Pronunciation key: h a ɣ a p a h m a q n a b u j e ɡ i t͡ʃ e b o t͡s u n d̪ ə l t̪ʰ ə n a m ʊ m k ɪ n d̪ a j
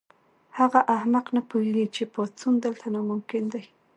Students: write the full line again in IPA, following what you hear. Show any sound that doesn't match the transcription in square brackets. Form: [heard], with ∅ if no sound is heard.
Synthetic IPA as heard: h a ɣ a [ʔ] a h m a q n a [p] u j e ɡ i t͡ʃ e [p] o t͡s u n d̪ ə l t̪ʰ [a] n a m ʊ m k ɪ n d̪ a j